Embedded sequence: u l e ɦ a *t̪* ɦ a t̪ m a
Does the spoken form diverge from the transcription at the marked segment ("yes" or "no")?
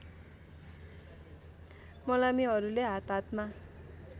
no